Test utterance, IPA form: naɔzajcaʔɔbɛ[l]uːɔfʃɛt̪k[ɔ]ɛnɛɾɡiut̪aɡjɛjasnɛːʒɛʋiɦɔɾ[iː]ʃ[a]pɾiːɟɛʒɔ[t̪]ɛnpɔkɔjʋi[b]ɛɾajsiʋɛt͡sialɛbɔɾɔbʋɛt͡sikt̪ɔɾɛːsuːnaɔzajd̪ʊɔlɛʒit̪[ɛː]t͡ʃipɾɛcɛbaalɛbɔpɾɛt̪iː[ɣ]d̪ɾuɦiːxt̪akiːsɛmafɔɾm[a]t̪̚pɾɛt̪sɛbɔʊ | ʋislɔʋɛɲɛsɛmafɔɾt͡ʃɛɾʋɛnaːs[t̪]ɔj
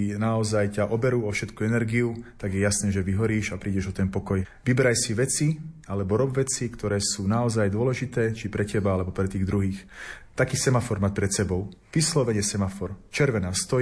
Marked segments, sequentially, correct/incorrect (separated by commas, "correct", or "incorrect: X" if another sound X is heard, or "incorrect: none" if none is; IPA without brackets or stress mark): incorrect: ɾ, incorrect: u, correct, correct, correct, correct, correct, correct, correct, correct